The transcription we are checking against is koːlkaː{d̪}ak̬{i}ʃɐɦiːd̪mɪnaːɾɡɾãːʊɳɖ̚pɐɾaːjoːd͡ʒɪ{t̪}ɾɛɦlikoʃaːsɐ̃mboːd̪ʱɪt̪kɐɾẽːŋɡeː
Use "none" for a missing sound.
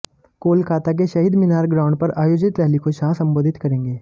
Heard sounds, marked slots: t̪, e, t̪

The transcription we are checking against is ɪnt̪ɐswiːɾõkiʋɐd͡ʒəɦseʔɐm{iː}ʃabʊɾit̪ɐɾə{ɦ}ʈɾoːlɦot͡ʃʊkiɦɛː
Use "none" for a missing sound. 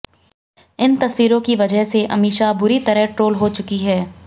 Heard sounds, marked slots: iː, ɦ

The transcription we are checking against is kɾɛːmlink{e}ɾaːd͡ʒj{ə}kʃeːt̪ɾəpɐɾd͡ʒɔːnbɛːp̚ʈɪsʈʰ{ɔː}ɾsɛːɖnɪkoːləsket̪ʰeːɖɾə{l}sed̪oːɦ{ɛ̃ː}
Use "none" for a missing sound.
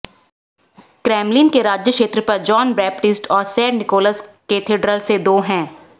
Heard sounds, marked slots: e, ə, ɔː, l, ɛ̃ː

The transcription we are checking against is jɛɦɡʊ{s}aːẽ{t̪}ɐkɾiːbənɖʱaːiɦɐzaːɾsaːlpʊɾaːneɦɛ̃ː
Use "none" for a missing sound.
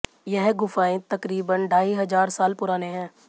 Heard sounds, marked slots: f, t̪

